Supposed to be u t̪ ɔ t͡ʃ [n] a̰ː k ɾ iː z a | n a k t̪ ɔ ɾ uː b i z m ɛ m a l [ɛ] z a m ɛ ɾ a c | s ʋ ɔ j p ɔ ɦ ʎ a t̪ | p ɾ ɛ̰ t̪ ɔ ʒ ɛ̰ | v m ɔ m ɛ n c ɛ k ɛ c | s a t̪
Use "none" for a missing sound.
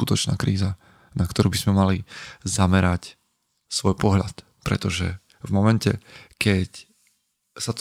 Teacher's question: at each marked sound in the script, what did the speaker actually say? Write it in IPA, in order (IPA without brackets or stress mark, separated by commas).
n, i